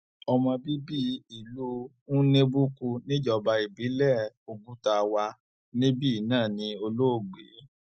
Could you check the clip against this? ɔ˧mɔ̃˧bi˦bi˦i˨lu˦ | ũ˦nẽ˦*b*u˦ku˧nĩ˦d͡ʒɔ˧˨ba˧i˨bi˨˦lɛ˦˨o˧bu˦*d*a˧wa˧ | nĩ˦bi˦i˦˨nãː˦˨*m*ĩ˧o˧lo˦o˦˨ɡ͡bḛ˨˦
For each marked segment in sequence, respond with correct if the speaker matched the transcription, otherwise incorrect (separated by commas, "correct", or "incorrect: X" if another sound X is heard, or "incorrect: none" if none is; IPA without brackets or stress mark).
correct, incorrect: t, incorrect: n